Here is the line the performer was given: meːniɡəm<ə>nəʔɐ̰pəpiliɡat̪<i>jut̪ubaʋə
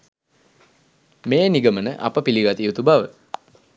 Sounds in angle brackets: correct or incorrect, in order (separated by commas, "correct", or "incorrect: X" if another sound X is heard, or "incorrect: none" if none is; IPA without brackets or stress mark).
correct, correct